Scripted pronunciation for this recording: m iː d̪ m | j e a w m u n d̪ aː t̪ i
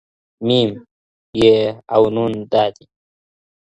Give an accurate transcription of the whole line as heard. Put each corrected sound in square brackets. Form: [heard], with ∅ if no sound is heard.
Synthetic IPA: m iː [∅] m | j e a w [n] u n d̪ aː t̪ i

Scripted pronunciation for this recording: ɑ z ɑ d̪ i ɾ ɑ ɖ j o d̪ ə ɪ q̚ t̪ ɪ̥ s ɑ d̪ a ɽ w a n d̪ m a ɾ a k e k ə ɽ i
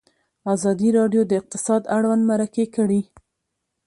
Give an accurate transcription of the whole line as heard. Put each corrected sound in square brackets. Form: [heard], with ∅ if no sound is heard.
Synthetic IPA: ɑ z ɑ d̪ i ɾ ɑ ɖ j o d̪ ə ɪ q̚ t̪ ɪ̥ s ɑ d̪ a ɽ w a n d̪ m a ɾ a k e k ə ɽ i

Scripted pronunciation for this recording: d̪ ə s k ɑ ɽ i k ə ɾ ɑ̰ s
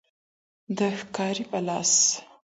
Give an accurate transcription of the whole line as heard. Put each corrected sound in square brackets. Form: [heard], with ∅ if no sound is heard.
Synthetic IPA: d̪ ə [x] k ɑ [ɾ] i [p] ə [l] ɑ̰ s

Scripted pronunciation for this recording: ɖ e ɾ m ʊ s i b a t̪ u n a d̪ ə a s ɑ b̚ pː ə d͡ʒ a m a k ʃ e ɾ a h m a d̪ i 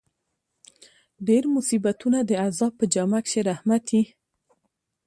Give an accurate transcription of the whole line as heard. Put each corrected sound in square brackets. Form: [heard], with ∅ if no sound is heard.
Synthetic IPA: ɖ e ɾ m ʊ s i b a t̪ u n a d̪ ə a [z] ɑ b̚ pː ə d͡ʒ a m a k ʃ e ɾ a h m a [t̪] i

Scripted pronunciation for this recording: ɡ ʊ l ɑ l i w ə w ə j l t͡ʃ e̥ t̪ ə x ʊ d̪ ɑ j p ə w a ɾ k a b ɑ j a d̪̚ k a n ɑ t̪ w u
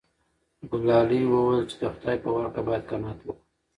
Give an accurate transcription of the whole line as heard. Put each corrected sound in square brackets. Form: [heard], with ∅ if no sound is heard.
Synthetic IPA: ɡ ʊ l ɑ l i w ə w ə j l t͡ʃ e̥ [d̪] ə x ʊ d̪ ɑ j p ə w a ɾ k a b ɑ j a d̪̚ k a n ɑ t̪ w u

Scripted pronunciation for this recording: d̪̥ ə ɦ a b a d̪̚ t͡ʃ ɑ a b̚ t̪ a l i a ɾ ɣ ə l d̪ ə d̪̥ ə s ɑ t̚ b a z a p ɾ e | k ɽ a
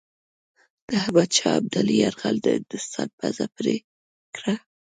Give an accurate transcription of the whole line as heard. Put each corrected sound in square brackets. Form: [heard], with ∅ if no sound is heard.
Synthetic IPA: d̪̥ ə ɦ a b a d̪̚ t͡ʃ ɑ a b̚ [d̪] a l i a ɾ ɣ [a] l d̪ ə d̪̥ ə s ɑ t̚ b a z a p ɾ e | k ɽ a

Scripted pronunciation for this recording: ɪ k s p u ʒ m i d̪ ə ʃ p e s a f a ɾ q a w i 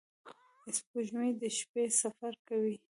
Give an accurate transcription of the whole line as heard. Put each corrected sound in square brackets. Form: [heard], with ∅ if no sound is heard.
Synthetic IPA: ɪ [∅] s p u ʒ m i d̪ ə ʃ p e s a f a ɾ [k] a w i

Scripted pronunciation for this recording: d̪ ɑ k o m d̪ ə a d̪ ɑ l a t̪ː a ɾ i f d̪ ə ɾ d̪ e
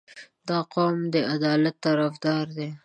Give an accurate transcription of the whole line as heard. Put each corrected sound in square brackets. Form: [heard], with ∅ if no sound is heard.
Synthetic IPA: d̪ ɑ [q] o m d̪ ə a d̪ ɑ l a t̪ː a ɾ [a] f d̪ [ɑ] ɾ d̪ e

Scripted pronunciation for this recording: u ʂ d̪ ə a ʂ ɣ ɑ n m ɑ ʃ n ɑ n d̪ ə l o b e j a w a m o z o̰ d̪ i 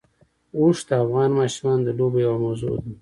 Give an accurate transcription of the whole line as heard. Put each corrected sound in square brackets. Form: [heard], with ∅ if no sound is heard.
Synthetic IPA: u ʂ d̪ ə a [f] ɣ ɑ n m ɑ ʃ [m] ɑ n d̪ ə l o b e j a w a m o z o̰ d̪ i

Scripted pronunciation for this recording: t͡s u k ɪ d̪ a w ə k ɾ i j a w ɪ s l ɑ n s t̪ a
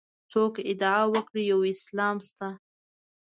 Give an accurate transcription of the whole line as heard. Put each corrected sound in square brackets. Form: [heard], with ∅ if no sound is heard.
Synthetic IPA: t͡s [o] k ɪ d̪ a w ə k [ɽ] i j a w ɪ s l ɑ [m] s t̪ a

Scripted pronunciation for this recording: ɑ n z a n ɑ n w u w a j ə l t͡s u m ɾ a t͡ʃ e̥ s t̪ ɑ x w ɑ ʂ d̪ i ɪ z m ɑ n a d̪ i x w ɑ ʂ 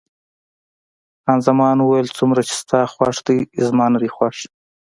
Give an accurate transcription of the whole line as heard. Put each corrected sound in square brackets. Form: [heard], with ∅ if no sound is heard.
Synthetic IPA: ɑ n z a [m] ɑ n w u w a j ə l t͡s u m ɾ a t͡ʃ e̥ s t̪ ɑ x w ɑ ʂ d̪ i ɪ z m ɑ n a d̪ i x w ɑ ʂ

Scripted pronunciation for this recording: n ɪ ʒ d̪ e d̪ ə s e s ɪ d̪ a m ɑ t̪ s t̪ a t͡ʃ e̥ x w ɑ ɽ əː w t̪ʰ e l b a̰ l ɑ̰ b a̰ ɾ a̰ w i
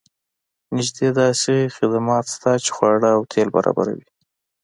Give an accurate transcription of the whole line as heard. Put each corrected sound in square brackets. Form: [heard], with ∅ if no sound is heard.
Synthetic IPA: n ɪ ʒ d̪ e d̪ [ɑ] s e [x] ɪ d̪ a m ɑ t̪ s t̪ a t͡ʃ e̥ x w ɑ ɽ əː w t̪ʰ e l b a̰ [ɾ] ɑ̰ b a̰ ɾ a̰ w i

